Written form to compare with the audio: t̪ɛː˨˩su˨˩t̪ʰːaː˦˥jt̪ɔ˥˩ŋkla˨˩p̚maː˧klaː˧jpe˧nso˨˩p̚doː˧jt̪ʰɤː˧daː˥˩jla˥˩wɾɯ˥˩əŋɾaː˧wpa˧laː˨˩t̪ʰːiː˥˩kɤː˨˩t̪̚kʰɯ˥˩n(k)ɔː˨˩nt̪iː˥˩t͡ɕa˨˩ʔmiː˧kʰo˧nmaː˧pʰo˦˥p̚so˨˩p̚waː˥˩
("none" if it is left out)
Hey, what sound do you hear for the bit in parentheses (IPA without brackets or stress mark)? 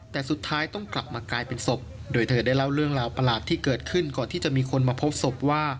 k